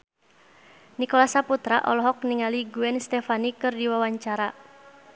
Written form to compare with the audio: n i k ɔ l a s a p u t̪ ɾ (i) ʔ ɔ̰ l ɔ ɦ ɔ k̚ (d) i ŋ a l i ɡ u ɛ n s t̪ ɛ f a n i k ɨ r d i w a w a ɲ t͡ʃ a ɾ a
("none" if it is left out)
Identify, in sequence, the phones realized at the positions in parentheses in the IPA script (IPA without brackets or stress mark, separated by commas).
a, n